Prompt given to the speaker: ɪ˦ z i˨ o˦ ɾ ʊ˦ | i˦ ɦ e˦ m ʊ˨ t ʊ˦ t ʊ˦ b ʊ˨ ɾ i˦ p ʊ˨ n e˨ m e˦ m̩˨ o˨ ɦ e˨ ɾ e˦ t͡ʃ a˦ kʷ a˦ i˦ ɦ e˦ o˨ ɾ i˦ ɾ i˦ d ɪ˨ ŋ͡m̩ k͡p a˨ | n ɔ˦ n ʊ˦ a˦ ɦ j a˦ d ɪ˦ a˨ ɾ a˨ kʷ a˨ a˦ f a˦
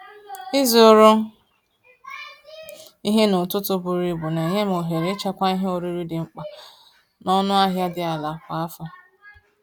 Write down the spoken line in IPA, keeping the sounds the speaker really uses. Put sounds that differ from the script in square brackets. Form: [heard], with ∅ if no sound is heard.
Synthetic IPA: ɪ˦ z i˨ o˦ ɾ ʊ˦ | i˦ ɦ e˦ [n] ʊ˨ t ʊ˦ t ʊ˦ b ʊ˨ ɾ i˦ [b] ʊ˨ n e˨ [ɲ] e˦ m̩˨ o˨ ɦ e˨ ɾ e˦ t͡ʃ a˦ kʷ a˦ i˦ ɦ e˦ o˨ ɾ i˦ ɾ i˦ d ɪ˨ ŋ͡m̩ k͡p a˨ | n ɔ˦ n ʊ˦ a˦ ɦ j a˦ d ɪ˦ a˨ [l] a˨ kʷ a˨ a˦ f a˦